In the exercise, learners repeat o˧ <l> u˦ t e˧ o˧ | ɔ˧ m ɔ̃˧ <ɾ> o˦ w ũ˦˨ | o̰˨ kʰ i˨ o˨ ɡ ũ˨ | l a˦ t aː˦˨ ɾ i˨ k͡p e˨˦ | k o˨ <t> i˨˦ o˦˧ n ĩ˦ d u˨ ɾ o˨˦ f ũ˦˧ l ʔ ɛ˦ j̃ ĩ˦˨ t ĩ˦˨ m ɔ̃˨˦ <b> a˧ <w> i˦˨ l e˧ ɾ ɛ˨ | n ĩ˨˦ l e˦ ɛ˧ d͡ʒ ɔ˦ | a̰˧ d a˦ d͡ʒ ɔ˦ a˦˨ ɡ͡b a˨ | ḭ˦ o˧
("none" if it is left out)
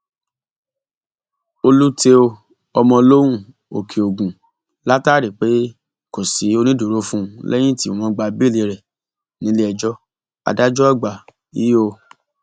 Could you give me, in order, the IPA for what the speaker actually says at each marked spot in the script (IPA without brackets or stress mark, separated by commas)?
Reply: l, l, s, ɡ͡b, b